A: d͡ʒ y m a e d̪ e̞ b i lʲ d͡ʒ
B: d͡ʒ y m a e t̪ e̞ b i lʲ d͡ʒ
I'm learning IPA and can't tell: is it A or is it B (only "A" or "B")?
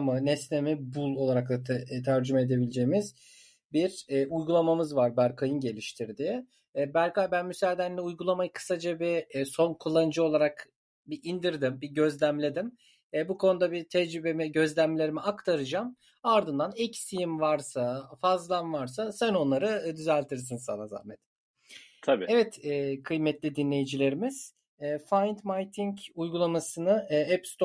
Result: A